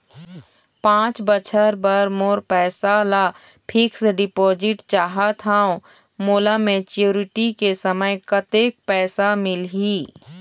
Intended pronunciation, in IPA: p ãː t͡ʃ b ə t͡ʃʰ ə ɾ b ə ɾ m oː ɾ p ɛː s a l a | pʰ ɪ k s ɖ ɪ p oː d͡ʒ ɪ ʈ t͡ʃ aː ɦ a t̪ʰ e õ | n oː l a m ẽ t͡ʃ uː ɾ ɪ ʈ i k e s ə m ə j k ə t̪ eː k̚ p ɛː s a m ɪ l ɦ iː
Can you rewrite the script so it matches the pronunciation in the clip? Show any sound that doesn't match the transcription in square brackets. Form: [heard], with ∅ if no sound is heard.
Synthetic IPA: p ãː t͡ʃ b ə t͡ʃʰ ə ɾ b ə ɾ m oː ɾ p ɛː s a l a | pʰ ɪ k s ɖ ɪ p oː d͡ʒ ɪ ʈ t͡ʃ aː ɦ a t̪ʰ [a] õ | [m] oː l a m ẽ t͡ʃ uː ɾ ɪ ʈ i k e s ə m ə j k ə t̪ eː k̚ p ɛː s a m ɪ l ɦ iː